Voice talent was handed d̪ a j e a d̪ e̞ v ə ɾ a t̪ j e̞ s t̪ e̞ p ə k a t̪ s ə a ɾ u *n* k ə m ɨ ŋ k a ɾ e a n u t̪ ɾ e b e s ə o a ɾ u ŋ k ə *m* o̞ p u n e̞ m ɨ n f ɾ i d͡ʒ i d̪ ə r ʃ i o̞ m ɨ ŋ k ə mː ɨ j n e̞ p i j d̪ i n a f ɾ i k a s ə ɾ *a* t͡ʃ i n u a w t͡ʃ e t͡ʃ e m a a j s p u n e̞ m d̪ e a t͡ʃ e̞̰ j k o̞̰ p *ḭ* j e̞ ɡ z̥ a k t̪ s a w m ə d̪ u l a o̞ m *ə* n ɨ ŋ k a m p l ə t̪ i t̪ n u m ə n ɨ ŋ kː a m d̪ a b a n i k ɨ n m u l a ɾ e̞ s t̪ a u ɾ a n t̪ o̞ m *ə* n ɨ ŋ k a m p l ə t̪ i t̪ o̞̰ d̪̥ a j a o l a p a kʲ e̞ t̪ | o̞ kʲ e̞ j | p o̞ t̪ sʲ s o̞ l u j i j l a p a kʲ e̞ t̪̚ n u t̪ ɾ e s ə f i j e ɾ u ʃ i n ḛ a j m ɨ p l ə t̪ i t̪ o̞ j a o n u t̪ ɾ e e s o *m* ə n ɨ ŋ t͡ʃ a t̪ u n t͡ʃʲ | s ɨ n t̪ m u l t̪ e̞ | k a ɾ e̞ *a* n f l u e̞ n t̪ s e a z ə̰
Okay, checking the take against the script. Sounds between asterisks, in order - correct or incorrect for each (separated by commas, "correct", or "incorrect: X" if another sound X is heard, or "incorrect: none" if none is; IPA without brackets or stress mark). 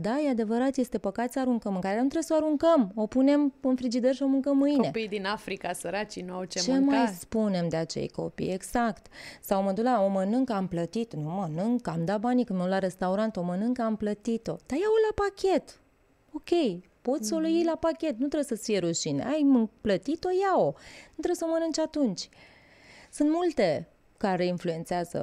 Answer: incorrect: ŋ, correct, correct, correct, correct, correct, correct, incorrect: i